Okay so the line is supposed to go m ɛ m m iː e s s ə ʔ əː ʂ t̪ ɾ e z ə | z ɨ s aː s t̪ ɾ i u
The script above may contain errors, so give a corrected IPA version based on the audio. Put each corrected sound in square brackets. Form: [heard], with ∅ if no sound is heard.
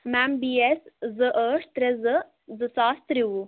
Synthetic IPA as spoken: m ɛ m [b] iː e s [z] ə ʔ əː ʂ t̪ ɾ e z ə | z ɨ s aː s t̪ ɾ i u